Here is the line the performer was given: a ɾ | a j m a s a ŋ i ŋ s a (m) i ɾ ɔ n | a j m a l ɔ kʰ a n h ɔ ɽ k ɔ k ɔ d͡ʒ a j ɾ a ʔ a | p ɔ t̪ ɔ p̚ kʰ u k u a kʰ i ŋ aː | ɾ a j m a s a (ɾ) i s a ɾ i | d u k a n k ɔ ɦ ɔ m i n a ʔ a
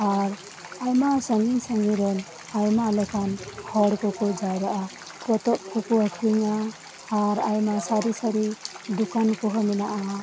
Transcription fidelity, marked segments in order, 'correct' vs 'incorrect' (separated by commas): incorrect, correct